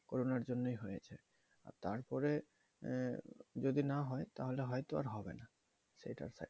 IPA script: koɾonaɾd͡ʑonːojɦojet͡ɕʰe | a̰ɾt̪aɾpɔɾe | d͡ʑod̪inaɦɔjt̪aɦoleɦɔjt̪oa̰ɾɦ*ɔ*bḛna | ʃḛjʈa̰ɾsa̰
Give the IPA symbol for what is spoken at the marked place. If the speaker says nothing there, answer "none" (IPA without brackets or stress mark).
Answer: ɔ